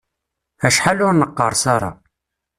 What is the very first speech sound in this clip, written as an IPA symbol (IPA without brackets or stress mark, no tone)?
æ